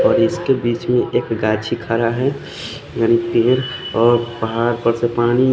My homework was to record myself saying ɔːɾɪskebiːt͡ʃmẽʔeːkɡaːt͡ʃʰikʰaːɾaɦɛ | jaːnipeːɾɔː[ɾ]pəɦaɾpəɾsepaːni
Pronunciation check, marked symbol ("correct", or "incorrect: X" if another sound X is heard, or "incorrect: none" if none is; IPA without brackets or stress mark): correct